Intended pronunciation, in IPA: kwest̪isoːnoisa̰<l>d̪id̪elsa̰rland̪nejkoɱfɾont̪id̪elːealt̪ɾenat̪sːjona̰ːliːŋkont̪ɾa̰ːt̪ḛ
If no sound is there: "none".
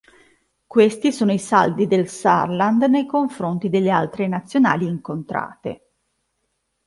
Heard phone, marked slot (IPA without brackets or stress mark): l